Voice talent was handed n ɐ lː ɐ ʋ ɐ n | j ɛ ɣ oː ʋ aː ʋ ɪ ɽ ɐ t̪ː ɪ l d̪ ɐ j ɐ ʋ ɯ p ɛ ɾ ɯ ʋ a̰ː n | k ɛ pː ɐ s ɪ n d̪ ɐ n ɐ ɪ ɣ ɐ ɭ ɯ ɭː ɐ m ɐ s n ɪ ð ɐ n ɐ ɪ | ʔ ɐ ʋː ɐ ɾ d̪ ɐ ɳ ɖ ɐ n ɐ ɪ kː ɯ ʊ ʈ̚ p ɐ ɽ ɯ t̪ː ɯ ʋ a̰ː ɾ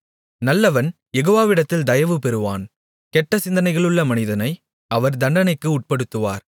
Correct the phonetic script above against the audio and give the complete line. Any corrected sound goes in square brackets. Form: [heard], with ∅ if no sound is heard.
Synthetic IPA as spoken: n ɐ lː ɐ ʋ ɐ n | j ɛ ɣ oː ʋ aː ʋ ɪ ɽ ɐ t̪ː ɪ l d̪ ɐ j ɐ ʋ ɯ p ɛ ɾ ɯ ʋ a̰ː n | k ɛ [ʈː] ɐ s ɪ n d̪ ɐ n ɐ ɪ ɣ ɐ ɭ ɯ ɭː ɐ m ɐ [∅] n ɪ ð ɐ n ɐ ɪ | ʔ ɐ [ʋ] ɐ ɾ d̪ ɐ ɳ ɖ ɐ n ɐ ɪ kː ɯ ʊ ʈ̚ p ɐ ɽ ɯ t̪ː ɯ ʋ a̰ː ɾ